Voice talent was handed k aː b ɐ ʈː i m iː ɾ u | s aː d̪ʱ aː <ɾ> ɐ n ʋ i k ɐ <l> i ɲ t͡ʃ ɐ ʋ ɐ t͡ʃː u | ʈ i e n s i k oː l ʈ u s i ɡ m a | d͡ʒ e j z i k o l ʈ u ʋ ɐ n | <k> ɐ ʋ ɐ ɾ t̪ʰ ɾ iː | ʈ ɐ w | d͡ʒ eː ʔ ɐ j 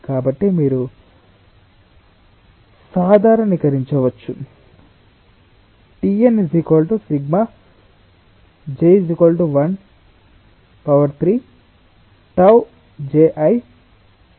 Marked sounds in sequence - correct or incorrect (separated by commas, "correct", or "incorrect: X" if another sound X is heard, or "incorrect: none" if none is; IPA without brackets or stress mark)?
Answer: correct, incorrect: ɾ, incorrect: p